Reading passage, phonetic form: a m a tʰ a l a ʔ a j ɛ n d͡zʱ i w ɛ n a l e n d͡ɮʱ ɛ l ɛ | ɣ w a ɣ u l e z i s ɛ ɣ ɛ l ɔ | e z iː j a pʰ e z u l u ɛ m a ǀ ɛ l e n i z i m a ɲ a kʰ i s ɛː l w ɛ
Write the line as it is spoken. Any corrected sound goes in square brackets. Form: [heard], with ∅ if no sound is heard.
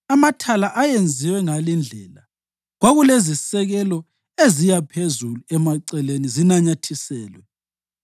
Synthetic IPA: a m a tʰ a l a ʔ a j [e] n d͡zʱ i w ɛ [ŋ] a l [i] n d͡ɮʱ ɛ l [a] | ɣ w a ɣ u l e z i s ɛ ɣ ɛ l ɔ | e z [i] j a pʰ e z u l u ɛ m a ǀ ɛ l e n i z i [n] a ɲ a [tʰ] i s ɛː l w ɛ